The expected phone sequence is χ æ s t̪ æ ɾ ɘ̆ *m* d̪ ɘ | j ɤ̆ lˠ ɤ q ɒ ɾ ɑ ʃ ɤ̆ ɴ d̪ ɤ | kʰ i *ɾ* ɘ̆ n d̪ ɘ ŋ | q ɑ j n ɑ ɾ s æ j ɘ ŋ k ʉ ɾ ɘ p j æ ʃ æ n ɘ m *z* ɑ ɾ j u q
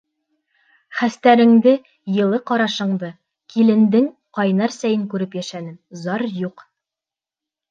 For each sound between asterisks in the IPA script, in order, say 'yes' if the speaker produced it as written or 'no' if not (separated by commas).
no, no, yes